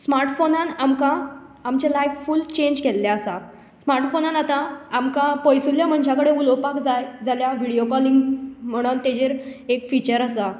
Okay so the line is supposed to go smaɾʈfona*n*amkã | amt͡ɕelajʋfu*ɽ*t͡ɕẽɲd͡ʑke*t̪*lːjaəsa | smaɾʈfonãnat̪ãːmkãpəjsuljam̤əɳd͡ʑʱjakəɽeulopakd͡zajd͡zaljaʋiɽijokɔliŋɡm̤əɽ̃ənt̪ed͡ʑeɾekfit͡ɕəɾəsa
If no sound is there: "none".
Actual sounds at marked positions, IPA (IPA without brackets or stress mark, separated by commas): n, l, none